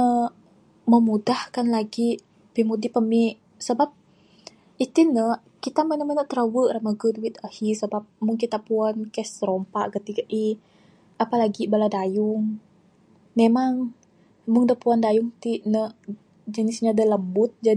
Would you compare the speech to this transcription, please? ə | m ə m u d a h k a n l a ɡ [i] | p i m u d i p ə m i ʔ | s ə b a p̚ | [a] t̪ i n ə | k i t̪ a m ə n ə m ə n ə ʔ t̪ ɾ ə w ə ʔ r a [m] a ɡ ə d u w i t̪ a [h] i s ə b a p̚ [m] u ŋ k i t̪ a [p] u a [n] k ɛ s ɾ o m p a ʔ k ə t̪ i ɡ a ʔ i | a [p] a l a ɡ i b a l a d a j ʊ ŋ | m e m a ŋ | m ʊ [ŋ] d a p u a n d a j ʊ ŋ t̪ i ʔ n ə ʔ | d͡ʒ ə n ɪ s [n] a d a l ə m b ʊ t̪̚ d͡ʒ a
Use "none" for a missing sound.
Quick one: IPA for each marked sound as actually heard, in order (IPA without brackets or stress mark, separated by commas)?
i, i, m, h, m, p, n, p, ŋ, ɲ